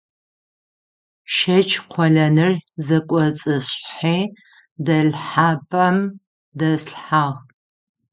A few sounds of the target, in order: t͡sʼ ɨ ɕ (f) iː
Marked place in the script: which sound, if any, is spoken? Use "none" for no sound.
ħ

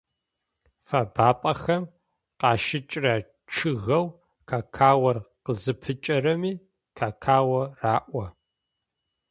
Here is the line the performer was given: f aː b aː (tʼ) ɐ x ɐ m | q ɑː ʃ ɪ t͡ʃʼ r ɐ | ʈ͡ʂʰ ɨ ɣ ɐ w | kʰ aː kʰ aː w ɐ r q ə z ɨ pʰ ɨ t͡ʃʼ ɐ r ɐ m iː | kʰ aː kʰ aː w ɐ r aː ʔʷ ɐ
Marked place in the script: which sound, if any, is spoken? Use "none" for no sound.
pʼ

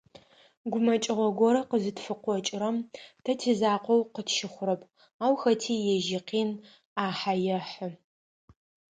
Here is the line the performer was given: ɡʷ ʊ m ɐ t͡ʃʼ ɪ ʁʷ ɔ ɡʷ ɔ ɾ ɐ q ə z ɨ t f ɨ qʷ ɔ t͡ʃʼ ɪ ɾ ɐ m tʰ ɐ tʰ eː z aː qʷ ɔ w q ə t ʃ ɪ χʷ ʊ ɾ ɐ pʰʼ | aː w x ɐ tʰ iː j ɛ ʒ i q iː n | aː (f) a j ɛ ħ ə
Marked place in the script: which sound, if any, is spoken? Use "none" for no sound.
ħ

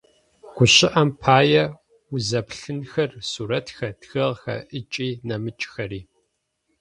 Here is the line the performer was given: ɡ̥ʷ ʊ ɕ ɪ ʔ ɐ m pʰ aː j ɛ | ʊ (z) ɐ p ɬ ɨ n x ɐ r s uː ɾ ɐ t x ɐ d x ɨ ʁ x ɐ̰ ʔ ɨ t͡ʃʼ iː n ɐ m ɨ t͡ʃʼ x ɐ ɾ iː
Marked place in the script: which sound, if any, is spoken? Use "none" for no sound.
z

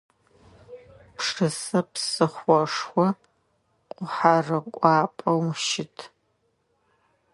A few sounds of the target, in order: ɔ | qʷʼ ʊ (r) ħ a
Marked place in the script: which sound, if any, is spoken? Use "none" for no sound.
none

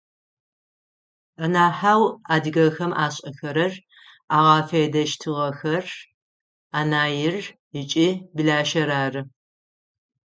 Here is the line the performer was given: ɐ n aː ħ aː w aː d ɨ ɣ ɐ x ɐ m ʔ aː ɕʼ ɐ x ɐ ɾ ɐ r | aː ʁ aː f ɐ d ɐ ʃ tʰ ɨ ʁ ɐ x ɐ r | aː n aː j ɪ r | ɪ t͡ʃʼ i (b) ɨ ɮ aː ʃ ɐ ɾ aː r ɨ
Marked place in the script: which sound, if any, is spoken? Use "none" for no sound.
b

